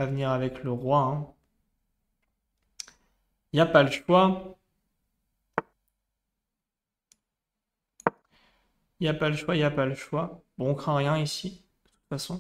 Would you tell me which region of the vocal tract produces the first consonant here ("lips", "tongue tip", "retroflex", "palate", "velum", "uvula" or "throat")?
lips